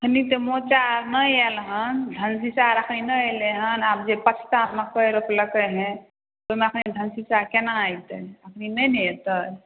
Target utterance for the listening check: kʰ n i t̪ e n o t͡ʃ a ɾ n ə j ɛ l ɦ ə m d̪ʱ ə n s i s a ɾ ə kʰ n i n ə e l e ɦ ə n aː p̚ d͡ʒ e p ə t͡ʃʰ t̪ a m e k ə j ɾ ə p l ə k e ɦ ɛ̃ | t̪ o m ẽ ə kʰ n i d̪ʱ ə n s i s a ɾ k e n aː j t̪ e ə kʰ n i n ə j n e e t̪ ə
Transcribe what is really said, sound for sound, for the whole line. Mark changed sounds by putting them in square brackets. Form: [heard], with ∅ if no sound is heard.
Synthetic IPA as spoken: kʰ n i t̪ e [m] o t͡ʃ a ɾ n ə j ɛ l ɦ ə [n] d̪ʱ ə n s i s a ɾ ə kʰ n i n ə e l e ɦ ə n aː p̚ d͡ʒ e p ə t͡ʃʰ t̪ a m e k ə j ɾ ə p l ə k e ɦ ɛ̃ | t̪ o m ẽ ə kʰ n i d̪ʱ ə n s i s a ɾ k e n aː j t̪ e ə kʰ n i n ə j n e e t̪ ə

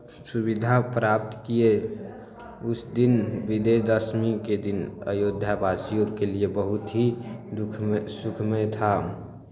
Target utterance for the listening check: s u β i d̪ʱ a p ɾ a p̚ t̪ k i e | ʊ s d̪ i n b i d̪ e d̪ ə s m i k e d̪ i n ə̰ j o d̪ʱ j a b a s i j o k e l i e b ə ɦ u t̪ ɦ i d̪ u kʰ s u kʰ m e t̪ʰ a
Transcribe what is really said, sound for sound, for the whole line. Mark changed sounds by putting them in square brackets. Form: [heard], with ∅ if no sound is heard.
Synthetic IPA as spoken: s u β i d̪ʱ a p ɾ a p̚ t̪ k i e | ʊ s d̪ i n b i d̪ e d̪ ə s m i k e d̪ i n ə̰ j o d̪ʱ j a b a s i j o k e l i e b ə ɦ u t̪ ɦ i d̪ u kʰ s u kʰ m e t̪ʰ a

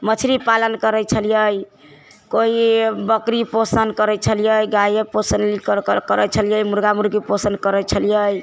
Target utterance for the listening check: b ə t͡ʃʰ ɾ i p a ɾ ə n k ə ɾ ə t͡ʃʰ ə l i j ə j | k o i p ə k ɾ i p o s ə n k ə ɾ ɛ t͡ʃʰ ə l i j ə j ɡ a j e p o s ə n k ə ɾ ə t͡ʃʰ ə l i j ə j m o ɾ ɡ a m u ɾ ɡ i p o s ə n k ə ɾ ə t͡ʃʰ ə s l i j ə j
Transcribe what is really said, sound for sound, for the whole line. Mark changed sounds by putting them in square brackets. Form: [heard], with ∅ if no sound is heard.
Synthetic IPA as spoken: [m] ə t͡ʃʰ ɾ i p a [l] ə n k ə ɾ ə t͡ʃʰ ə l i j ə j | k o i [b] ə k ɾ i p o s ə n k ə ɾ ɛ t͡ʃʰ ə l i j ə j ɡ a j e p o s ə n k ə ɾ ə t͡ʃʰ ə l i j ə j m [u] ɾ ɡ a m u ɾ ɡ i p o s ə n k ə ɾ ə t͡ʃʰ ə [∅] l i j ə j

